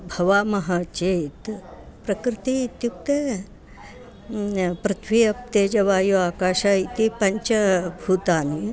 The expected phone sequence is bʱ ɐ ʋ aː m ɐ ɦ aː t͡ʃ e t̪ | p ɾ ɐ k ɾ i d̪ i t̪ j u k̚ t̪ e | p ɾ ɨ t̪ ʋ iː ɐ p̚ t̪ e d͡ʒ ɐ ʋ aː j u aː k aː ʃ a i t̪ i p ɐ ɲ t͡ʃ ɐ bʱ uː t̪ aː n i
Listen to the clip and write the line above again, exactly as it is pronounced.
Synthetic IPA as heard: bʱ ɐ ʋ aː m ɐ ɦ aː t͡ʃ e t̪ | p ɾ ɐ k ɾ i t̪ i t̪ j u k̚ t̪ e | p ɾ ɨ t̪ʰ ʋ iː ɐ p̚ t̪ e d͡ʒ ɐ ʋ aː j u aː k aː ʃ a i t̪ i p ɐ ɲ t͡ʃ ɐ bʱ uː t̪ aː n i